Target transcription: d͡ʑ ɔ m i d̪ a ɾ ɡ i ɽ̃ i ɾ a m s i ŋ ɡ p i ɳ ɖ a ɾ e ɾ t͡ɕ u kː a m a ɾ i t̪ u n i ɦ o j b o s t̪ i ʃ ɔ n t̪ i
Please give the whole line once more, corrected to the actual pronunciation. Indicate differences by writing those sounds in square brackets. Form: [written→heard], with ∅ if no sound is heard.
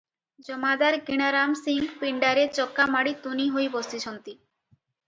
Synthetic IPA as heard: d͡ʑ ɔ m [i→a] d̪ a ɾ ɡ i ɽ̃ [i→a] ɾ a m s i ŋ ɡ p i ɳ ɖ a ɾ e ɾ t͡ɕ [u→ɔ] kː a m a [ɾ→ɽ] i t̪ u n i ɦ o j b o s t̪ i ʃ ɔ n t̪ i

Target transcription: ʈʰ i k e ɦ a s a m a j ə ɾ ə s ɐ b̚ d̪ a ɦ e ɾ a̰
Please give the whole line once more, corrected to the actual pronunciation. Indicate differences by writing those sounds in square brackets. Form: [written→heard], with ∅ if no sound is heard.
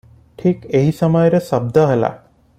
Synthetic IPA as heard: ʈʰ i k e ɦ [a→i] s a m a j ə ɾ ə s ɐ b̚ d̪ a ɦ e [ɾ→l] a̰

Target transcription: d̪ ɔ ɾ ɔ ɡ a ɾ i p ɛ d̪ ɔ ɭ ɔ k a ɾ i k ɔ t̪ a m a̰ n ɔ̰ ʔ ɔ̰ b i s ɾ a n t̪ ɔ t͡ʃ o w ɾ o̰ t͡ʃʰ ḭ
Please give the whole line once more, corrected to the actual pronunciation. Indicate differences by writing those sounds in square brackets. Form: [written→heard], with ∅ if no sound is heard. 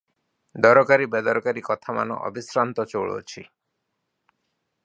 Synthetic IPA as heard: d̪ ɔ ɾ ɔ [ɡ→k] a ɾ i [p→b] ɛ d̪ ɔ [ɭ→ɾ] ɔ k a ɾ i k ɔ [t̪→t̪ʰ] a m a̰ n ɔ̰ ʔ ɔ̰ b i s ɾ a n t̪ ɔ t͡ʃ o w [ɾ→ɭ] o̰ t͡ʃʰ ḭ

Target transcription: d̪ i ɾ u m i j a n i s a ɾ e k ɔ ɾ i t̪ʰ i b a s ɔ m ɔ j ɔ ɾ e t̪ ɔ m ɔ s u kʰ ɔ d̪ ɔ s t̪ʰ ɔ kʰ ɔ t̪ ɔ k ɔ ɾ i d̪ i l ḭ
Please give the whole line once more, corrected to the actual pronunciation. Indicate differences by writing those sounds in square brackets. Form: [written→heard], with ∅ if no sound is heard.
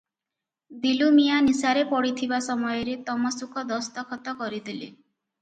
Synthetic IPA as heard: d̪ i [ɾ→l] u m i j a n i s a ɾ e [k→p] ɔ [ɾ→ɽ] i t̪ʰ i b a s ɔ m ɔ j ɔ ɾ e t̪ ɔ m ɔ s u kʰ ɔ d̪ ɔ s [t̪ʰ→t̪] ɔ kʰ ɔ t̪ ɔ k ɔ ɾ i d̪ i l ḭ

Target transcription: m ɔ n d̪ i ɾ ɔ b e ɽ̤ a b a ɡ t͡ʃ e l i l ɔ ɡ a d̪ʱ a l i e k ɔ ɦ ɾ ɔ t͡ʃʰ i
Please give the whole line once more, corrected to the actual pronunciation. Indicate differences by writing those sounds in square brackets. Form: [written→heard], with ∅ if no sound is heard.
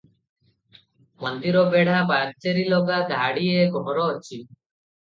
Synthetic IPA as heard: m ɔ n d̪ i ɾ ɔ b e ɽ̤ a b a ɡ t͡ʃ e [l→ɾ] i l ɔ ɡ a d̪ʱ a [l→ɽ] i e [k→ɡ] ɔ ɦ ɾ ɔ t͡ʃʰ i

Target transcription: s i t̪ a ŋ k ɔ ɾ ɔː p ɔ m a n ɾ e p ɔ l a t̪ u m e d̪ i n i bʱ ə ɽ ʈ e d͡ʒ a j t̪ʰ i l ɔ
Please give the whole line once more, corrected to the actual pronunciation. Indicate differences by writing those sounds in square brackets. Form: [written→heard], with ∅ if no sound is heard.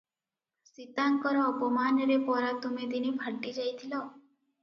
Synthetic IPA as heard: s i t̪ a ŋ k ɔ ɾ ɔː p ɔ m a n ɾ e p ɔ [l→ɾ] a t̪ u m e d̪ i n i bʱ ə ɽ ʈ [e→i] d͡ʒ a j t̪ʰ i l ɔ

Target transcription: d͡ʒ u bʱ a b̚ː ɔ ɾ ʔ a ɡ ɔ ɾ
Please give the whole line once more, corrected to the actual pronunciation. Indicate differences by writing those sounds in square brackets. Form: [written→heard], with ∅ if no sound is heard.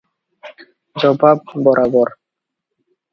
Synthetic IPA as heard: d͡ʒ [u→ɔ] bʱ a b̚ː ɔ ɾ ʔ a [ɡ→b] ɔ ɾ

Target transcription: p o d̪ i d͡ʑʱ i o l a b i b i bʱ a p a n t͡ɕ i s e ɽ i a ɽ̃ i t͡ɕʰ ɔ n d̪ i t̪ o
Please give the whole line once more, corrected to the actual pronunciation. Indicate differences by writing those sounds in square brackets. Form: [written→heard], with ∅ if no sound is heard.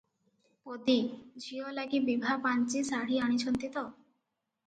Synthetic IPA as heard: p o d̪ i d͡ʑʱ i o l a [b→ɡ] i b i bʱ a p a n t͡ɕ i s [e→a] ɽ i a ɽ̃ i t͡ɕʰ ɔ n [d̪→t̪] i t̪ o

